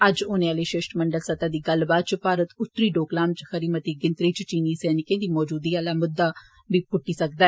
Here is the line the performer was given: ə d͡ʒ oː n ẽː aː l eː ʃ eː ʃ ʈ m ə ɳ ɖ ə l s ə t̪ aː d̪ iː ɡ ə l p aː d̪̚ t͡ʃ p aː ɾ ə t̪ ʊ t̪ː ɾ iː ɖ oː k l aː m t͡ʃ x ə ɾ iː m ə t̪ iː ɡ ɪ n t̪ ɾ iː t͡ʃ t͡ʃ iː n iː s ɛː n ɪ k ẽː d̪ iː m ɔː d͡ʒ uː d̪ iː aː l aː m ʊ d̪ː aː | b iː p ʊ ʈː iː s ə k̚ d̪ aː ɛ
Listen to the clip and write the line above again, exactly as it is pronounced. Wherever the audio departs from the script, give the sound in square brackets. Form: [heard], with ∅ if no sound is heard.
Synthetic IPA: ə d͡ʒ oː n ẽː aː l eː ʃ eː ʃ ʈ m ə ɳ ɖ ə l s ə t̪ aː d̪ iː ɡ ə l [b] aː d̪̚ t͡ʃ p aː ɾ ə t̪ ʊ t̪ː ɾ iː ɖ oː k l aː m t͡ʃ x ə ɾ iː m ə t̪ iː ɡ ɪ n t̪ ɾ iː t͡ʃ t͡ʃ iː n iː s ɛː n ɪ k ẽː d̪ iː m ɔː d͡ʒ uː d̪ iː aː l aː m ʊ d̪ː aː | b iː p ʊ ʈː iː s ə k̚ d̪ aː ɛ